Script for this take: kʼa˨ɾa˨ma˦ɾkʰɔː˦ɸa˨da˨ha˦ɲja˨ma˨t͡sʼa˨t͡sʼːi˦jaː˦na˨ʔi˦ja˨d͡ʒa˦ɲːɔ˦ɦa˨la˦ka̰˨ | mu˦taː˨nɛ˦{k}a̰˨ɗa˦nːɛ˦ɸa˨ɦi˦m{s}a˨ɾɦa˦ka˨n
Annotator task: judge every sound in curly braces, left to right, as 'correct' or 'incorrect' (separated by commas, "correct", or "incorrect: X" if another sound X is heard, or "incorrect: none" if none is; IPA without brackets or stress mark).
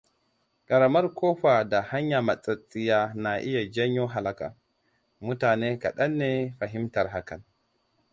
correct, incorrect: t